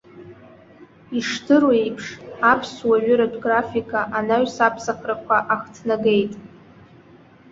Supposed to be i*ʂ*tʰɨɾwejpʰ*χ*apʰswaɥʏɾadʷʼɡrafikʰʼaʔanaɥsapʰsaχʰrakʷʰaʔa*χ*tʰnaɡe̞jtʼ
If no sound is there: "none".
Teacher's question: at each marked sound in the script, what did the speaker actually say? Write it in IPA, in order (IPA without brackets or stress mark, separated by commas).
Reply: ʂ, ʂ, χ